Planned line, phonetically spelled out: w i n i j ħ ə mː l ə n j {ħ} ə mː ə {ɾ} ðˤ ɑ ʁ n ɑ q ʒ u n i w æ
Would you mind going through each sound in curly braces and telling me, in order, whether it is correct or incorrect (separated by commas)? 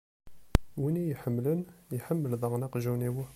correct, incorrect